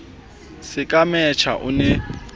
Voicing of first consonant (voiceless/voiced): voiceless